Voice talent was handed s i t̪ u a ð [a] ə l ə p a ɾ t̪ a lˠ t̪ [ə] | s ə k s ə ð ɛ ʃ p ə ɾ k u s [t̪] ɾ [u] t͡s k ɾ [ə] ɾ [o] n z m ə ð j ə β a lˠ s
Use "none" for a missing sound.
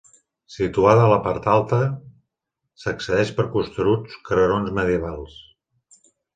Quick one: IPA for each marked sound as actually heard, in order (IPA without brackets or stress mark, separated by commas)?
ə, ə, t̪, u, ə, o